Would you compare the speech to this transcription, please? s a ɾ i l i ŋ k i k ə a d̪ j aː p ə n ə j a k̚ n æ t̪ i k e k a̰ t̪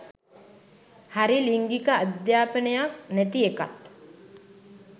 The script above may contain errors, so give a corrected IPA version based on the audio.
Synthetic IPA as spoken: h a ɾ i l i ŋ ɡ i k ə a d̪ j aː p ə n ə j a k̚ n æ t̪ i e k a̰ t̪